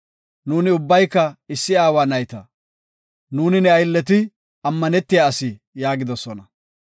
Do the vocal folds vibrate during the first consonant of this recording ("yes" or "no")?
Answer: yes